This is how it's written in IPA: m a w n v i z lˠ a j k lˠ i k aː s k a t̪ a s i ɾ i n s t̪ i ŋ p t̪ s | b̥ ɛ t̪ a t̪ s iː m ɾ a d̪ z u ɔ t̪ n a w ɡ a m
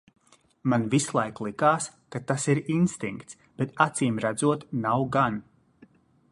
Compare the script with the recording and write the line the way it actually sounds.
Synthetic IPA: m a n v i s lˠ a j k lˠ i k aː s k a t̪ a s i ɾ i n s t̪ i ŋ k t̪ s | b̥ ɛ t̪ a t̪ s iː m ɾ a d̪ z u ɔ t̪ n a w ɡ a n